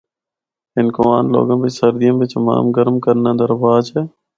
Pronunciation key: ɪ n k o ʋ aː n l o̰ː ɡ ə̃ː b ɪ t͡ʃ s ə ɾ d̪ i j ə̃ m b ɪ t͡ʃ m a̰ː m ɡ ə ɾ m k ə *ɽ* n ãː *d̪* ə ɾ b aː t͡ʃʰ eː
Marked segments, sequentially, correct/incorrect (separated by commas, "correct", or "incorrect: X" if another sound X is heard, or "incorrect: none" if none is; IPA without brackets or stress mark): incorrect: ɾ, correct